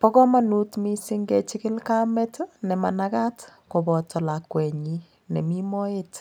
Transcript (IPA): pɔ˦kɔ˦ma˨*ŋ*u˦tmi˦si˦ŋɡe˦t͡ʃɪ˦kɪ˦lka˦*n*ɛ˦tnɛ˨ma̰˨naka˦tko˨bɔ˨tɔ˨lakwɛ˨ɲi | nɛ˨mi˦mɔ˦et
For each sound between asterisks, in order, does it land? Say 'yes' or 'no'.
no, no

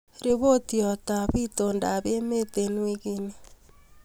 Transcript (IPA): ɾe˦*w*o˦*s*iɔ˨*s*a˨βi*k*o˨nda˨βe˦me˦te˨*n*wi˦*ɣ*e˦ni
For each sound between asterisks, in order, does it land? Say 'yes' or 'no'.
no, no, no, no, yes, yes

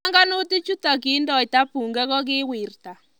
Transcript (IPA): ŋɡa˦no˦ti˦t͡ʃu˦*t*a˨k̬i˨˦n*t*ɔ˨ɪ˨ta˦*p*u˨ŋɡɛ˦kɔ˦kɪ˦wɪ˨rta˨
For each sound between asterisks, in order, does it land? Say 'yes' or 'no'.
yes, no, yes

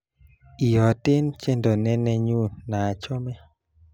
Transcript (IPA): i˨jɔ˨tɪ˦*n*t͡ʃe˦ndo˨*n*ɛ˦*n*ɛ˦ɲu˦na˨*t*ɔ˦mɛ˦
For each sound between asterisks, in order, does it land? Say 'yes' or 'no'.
yes, yes, yes, no

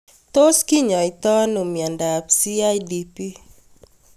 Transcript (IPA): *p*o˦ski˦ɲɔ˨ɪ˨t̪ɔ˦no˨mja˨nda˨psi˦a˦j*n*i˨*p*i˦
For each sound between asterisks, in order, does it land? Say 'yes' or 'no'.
no, no, yes

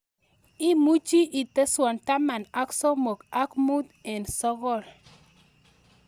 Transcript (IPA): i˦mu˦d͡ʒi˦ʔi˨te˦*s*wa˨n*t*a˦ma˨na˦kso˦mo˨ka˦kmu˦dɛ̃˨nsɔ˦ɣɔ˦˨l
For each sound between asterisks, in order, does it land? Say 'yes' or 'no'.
yes, yes

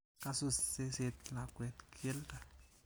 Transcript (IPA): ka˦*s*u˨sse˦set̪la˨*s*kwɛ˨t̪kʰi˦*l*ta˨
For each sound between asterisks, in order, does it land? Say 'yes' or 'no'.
yes, no, yes

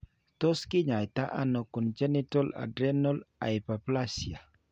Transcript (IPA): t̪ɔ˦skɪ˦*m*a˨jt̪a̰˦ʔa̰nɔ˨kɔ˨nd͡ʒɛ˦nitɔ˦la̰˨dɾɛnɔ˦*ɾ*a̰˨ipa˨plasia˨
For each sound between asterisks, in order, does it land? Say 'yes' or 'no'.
no, no

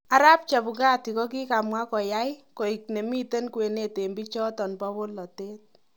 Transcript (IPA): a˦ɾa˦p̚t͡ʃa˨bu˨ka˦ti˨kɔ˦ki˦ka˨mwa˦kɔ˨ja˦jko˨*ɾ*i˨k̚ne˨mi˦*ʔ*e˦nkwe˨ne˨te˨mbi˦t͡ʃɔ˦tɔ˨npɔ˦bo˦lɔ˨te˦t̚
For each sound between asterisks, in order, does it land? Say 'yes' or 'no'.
no, no

